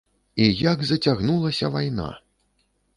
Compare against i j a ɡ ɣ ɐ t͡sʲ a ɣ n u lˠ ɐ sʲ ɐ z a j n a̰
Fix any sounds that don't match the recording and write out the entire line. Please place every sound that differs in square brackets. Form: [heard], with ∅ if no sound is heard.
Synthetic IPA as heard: i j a ɡ [z] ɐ t͡sʲ a ɣ n u lˠ ɐ sʲ ɐ [v] a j n a̰